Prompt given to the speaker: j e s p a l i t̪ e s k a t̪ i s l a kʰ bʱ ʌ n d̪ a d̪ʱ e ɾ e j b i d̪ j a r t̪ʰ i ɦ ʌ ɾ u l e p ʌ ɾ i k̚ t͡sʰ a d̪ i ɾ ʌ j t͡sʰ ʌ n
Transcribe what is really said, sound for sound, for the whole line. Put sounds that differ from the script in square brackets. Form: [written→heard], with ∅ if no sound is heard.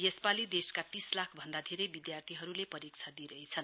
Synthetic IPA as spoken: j e s p a l i [t̪→d̪] e s k a t̪ i s l a kʰ bʱ ʌ n d̪ a d̪ʱ e ɾ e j b i d̪ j a r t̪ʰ i ɦ ʌ ɾ u l e p ʌ ɾ i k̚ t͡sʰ a d̪ i ɾ ʌ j t͡sʰ ʌ n